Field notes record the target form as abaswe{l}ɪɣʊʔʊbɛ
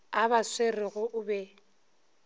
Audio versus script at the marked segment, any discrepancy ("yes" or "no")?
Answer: yes